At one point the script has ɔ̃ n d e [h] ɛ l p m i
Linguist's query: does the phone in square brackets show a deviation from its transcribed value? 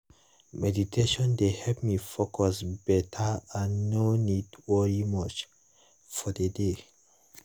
no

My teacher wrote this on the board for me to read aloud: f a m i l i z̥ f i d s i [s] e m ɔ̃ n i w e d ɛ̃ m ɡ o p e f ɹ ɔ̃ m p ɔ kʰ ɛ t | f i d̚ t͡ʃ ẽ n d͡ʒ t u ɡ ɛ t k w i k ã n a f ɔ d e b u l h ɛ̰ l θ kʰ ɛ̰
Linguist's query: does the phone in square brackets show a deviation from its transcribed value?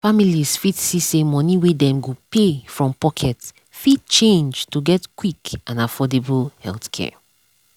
no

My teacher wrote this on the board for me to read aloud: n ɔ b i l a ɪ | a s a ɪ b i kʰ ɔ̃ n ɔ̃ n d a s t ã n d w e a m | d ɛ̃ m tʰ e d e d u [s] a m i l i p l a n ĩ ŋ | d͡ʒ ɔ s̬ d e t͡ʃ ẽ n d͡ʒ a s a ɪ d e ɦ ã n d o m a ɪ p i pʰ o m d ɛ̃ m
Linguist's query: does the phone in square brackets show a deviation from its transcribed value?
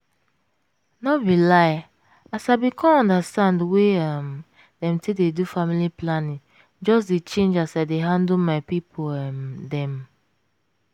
yes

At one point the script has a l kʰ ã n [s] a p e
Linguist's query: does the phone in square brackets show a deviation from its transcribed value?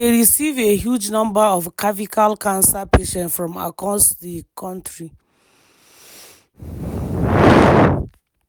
no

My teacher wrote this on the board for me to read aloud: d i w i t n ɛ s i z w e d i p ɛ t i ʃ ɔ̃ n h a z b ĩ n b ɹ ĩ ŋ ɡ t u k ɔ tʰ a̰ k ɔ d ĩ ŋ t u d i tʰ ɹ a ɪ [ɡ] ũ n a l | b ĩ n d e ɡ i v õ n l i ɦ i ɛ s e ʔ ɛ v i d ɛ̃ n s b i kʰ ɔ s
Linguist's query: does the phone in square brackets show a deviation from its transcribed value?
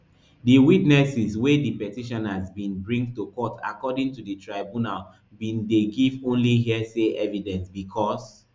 yes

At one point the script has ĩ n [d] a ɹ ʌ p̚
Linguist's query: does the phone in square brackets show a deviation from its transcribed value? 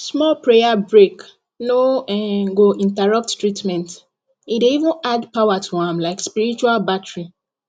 yes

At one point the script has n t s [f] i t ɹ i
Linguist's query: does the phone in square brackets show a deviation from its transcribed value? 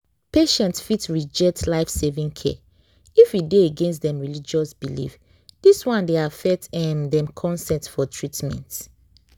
no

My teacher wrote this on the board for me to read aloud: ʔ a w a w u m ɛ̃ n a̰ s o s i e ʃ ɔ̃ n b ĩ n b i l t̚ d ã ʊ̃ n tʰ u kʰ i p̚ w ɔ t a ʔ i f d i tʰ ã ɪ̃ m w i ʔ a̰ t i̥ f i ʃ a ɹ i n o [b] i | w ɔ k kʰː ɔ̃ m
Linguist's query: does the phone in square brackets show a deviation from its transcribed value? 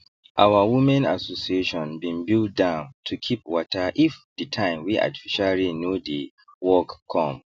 yes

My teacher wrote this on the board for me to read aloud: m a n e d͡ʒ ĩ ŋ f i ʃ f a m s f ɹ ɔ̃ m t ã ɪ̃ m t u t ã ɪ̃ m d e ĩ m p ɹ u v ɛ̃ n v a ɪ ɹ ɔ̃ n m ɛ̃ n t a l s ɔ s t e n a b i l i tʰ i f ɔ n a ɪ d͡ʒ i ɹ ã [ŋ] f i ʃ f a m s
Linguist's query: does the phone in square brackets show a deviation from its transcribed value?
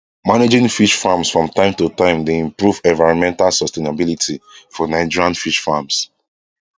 yes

